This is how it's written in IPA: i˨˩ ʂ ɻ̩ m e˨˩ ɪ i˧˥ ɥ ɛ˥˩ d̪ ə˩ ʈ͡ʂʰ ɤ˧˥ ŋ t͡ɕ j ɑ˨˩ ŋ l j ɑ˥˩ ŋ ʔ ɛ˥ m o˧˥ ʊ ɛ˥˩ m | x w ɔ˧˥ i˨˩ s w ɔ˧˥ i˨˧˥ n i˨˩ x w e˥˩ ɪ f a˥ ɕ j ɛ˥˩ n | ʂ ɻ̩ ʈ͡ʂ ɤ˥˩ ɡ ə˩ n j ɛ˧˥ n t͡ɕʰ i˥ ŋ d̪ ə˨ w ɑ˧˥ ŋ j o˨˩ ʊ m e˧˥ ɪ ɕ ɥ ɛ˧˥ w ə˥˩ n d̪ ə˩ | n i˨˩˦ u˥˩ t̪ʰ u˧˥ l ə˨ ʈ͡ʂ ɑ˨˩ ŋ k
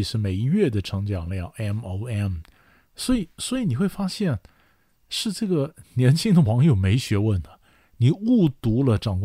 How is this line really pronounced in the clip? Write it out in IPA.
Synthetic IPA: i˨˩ ʂ ɻ̩ m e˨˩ ɪ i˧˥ ɥ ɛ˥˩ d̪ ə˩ ʈ͡ʂʰ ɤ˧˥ ŋ t͡ɕ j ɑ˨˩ ŋ l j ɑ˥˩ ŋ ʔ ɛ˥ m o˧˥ ʊ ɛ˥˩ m | s w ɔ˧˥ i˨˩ s w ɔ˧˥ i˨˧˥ n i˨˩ x w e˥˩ ɪ f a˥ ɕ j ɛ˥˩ n | ʂ ɻ̩ ʈ͡ʂ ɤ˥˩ ɡ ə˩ n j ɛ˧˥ n t͡ɕʰ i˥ ŋ d̪ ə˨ w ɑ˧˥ ŋ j o˨˩ ʊ m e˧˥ ɪ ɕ ɥ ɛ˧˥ w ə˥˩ n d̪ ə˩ | n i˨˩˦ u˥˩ t̪ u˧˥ l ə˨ ʈ͡ʂ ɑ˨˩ ŋ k